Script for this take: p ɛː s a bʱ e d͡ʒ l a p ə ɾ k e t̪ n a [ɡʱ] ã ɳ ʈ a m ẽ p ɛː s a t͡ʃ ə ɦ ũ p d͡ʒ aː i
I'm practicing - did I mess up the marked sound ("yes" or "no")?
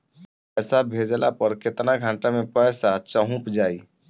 no